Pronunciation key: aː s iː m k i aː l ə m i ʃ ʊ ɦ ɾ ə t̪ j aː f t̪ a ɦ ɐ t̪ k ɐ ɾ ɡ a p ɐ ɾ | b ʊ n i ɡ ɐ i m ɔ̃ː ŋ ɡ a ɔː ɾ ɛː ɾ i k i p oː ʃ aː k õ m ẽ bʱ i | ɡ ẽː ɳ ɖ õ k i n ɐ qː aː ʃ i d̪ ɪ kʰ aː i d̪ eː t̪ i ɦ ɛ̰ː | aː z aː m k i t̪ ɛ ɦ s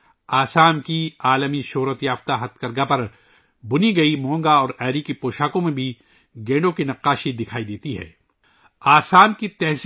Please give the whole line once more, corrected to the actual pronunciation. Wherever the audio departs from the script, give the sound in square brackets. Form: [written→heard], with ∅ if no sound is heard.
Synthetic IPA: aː s [iː→aː] m k i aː l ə m i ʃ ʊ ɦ ɾ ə t̪ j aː f t̪ a ɦ ɐ t̪ k ɐ ɾ ɡ a p ɐ ɾ | b ʊ n i ɡ ɐ i m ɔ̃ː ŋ ɡ a ɔː ɾ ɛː ɾ i k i p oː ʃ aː k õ m ẽ bʱ i | ɡ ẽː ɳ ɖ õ k i n ɐ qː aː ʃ i d̪ ɪ kʰ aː i d̪ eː t̪ i ɦ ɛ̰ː | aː [z→s] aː m k i t̪ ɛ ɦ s